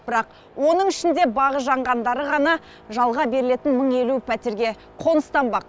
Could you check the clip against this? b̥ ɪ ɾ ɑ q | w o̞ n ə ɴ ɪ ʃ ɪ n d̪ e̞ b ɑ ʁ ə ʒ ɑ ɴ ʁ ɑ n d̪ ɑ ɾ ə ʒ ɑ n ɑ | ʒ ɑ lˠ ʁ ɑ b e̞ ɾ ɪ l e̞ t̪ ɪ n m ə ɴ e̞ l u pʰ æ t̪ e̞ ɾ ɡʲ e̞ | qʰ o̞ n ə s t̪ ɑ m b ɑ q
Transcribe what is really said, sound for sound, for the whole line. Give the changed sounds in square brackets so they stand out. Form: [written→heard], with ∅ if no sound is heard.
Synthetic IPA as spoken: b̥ ɪ ɾ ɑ q | w o̞ n ə ɴ ɪ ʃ ɪ n d̪ e̞ b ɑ ʁ ə ʒ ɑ ɴ ʁ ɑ n d̪ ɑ ɾ ə [ʒ→ʁ] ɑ n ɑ | ʒ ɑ lˠ ʁ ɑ b e̞ ɾ ɪ l e̞ t̪ ɪ n m ə ɴ e̞ l u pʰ æ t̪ e̞ ɾ ɡʲ e̞ | qʰ o̞ n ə s t̪ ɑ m b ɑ q